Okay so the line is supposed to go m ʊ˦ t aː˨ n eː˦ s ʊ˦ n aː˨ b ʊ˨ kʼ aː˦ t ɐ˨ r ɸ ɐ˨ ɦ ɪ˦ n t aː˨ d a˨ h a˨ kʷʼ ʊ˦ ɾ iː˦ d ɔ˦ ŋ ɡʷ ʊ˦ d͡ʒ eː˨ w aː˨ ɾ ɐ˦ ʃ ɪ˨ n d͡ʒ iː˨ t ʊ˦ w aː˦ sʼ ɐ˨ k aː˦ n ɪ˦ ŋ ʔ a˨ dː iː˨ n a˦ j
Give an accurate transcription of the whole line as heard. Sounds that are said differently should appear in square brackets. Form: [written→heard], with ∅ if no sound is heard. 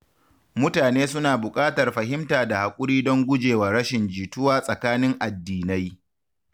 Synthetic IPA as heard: m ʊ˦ t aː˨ n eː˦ s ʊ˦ n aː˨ b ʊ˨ kʼ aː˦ t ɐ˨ r ɸ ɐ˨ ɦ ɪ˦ [n→m] t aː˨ d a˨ h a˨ kʷʼ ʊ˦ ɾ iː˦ d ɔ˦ ŋ ɡʷ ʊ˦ d͡ʒ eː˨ w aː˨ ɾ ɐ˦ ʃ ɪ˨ n d͡ʒ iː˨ t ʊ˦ w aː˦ sʼ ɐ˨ k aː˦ n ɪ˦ ŋ ʔ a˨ dː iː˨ n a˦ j